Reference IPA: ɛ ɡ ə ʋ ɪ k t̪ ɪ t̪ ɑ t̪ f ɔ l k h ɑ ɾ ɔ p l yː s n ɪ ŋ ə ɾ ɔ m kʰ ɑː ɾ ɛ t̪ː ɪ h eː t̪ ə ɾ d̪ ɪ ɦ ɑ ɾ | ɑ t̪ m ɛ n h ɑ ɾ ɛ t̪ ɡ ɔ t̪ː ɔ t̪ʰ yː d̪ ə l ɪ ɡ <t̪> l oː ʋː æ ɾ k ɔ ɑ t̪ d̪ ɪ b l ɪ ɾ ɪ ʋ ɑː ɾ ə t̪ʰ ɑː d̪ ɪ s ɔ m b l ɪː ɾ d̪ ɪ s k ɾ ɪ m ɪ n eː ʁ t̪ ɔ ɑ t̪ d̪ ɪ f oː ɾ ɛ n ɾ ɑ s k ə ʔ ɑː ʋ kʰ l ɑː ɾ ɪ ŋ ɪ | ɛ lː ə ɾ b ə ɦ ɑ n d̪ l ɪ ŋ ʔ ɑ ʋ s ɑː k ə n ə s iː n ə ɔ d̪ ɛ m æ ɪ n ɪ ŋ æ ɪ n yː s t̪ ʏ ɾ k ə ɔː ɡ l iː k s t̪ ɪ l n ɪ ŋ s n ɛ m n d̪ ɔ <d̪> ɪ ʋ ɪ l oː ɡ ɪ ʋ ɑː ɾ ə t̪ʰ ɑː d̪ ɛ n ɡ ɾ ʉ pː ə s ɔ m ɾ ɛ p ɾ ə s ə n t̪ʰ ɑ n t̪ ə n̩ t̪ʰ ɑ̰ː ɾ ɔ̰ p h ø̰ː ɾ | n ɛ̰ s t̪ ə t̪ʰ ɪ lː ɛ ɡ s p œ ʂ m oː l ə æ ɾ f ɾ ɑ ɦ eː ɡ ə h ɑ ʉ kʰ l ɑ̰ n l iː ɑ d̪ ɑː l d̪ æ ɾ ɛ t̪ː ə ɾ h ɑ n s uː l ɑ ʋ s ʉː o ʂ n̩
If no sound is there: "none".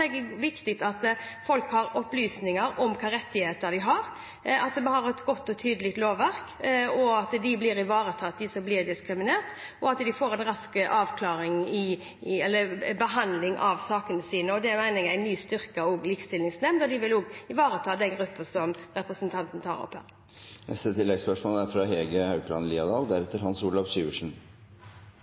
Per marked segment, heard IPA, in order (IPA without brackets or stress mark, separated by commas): t̪, d̪